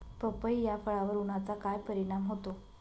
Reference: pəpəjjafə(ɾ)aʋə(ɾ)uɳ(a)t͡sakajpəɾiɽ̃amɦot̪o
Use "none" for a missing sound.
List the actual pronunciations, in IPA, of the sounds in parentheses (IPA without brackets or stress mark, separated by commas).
ɭ, ɾ, a